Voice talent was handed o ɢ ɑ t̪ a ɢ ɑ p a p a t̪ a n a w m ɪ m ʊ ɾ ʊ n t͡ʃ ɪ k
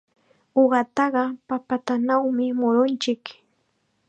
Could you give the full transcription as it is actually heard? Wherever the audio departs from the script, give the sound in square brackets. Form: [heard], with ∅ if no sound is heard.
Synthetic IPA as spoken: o ɢ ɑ t̪ [ɑ] ɢ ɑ p a p a t̪ a n a w m ɪ m ʊ ɾ ʊ n t͡ʃ ɪ k